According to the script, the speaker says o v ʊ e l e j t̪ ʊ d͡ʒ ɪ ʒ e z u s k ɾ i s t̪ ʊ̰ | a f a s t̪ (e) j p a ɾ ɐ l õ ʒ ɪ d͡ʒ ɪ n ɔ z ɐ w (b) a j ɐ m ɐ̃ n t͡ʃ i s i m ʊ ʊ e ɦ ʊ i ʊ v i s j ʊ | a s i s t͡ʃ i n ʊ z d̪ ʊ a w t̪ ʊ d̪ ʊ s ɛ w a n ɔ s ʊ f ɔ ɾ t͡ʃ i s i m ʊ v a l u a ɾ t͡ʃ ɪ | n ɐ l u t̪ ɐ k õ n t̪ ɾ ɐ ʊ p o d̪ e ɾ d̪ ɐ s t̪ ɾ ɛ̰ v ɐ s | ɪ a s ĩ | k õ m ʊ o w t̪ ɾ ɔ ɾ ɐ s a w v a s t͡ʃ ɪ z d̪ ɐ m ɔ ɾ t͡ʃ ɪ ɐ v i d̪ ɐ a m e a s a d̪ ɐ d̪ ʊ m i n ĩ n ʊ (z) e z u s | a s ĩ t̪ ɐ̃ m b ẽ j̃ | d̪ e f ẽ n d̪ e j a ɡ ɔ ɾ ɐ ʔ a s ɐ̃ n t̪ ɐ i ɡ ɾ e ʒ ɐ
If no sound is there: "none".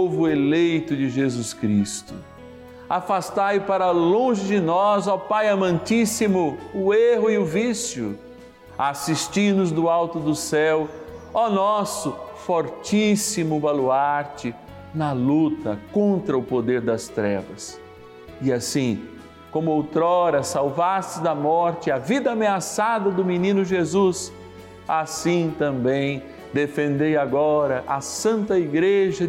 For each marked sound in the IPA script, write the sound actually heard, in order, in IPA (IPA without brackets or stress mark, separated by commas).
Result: a, p, ʒ